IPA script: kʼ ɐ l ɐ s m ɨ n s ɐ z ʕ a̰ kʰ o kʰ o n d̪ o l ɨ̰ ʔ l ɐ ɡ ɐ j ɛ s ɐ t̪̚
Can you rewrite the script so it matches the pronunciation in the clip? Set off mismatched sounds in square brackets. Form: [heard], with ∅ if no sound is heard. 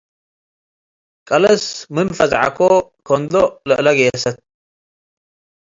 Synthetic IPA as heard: kʼ ɐ l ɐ s m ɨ n [f] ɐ z ʕ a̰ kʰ o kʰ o n d̪ o l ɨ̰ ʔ l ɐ ɡ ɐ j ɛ s ɐ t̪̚